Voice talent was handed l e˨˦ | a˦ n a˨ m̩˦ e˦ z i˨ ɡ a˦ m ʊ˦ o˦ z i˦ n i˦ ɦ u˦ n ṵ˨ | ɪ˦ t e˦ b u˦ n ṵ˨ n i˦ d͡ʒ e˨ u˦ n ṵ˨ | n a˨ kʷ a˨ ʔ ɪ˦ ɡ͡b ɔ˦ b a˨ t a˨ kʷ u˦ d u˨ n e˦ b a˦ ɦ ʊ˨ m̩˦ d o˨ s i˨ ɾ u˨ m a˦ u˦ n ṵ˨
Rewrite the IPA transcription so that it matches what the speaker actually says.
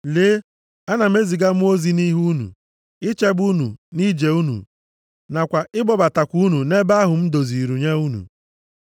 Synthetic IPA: l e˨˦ | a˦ n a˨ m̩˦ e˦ z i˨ ɡ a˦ m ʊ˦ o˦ z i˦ n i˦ ɦ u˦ n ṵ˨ | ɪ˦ t͡ʃ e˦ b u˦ n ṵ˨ n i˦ d͡ʒ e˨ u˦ n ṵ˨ | n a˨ kʷ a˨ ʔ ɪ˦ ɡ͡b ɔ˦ b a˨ t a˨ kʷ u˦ n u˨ n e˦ b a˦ ɦ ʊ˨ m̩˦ d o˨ z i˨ ɾ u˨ ɲ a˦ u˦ n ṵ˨